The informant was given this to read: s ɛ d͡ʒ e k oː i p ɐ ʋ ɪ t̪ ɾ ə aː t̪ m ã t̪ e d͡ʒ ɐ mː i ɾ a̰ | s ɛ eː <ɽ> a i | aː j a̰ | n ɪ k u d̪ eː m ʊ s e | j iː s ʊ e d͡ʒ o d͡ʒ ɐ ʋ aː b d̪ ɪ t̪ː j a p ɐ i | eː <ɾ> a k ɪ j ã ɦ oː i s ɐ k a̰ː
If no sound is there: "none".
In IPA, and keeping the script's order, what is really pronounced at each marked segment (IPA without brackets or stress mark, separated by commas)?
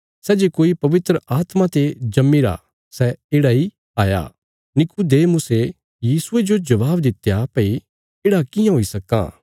ɽ, ɽ